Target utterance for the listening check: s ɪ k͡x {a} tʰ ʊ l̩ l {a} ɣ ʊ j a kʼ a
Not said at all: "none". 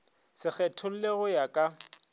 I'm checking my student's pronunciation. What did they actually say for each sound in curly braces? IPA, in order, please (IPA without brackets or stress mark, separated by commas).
ɛ, e